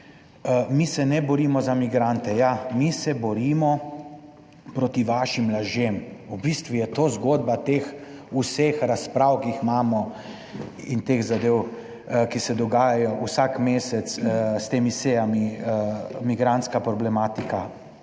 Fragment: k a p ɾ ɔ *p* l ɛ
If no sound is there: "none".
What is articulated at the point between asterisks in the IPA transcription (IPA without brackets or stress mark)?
b